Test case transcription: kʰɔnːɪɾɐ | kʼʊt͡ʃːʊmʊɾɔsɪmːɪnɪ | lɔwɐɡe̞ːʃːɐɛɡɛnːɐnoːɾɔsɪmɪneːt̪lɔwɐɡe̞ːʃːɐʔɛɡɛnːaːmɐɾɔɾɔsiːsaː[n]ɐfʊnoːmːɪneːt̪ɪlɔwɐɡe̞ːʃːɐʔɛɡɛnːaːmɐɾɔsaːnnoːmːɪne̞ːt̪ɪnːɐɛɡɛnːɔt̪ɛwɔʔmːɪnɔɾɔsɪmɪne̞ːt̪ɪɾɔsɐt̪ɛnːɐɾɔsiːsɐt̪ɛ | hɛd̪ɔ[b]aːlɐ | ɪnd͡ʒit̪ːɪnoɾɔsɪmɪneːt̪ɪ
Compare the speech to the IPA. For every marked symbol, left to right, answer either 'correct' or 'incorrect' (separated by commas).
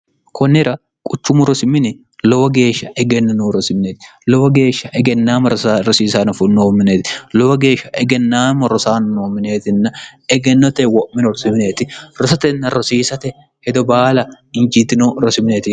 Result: correct, correct